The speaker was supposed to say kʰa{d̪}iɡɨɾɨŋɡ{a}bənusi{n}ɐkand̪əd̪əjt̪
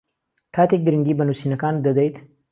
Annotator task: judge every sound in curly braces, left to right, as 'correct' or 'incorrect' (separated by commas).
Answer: incorrect, incorrect, correct